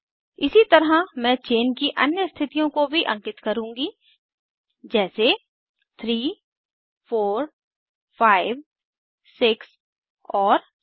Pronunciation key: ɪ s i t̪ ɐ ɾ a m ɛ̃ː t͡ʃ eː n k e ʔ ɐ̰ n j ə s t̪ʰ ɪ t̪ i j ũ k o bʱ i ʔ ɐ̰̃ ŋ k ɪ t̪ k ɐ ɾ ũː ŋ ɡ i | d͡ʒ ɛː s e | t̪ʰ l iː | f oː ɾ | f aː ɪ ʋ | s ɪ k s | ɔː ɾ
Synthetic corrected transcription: ɪ s i t̪ ɐ ɾ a m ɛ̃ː t͡ʃ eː n k i ʔ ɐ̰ n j ə s t̪ʰ ɪ t̪ i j õ k o bʱ i ʔ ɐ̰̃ ŋ k ɪ t̪ k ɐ ɾ ũː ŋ ɡ i | d͡ʒ ɛː s e | t̪ʰ ɾ iː | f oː ɾ | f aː ɪ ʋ | s ɪ k s | ɔː ɾ